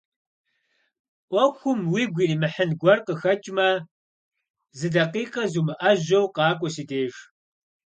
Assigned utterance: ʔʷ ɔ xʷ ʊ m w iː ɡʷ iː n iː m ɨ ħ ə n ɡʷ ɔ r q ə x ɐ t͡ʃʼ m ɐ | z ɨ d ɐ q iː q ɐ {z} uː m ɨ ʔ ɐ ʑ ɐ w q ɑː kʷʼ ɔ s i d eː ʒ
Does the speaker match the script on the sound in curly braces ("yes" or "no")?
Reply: yes